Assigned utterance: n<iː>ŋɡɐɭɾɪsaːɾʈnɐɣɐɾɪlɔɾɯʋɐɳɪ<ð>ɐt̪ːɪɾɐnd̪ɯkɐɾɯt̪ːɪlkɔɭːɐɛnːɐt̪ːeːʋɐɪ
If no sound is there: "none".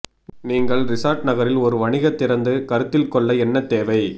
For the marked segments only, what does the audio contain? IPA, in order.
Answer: iː, ɣ

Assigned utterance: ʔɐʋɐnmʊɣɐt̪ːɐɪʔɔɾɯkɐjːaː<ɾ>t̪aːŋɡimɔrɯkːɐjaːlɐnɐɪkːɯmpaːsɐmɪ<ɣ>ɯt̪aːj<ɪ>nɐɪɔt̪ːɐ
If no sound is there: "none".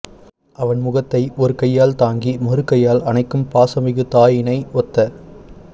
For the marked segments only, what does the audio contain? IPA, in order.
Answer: l, ɣ, ɪ

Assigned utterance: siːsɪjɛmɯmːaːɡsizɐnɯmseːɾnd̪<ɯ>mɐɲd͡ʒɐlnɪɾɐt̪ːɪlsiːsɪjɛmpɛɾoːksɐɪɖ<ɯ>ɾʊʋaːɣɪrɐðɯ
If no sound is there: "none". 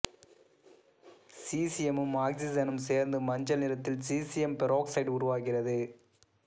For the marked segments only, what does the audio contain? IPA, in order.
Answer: ɯ, ʊ

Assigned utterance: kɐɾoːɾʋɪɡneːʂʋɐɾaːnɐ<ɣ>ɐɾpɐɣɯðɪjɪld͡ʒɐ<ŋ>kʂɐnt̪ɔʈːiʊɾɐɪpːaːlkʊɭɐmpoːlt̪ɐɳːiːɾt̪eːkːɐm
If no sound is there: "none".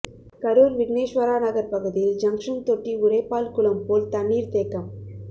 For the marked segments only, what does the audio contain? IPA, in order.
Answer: ɣ, ŋ

